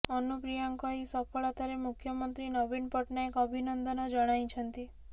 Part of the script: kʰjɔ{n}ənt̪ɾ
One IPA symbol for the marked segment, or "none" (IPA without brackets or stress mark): m